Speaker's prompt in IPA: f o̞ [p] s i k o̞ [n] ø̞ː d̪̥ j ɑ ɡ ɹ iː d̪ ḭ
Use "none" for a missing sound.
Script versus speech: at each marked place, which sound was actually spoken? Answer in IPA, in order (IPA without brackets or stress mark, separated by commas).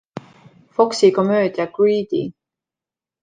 k, m